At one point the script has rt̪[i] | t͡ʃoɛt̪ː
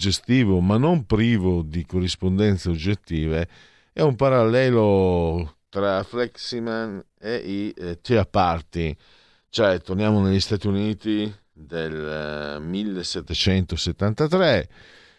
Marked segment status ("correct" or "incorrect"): correct